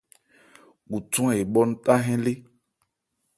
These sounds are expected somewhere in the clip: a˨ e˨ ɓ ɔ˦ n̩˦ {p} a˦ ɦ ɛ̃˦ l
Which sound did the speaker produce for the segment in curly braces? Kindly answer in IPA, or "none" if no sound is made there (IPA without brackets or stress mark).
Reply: t